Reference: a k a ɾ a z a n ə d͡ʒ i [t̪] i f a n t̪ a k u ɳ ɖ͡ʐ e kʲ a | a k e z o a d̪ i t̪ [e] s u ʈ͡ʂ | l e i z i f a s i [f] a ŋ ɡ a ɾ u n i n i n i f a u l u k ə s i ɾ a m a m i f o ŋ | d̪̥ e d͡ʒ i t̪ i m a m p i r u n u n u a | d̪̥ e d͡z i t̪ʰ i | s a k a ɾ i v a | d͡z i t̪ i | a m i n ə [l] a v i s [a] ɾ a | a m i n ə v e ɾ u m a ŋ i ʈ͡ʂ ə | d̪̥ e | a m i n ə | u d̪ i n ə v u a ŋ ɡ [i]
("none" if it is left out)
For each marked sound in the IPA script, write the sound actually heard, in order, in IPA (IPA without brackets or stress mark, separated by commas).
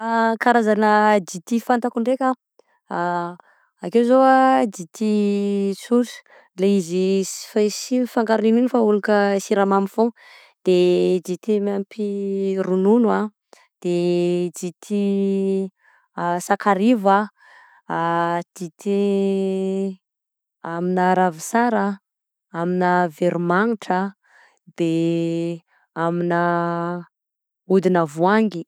t̪, i, f, ɾ, a, i